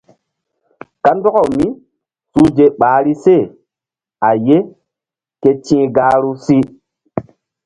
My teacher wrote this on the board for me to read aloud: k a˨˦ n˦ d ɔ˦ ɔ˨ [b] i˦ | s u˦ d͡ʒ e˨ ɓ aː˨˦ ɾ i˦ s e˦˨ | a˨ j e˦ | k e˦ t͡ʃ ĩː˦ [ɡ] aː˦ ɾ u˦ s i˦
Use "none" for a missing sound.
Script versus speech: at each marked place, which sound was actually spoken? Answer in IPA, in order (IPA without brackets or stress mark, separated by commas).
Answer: m, ɡ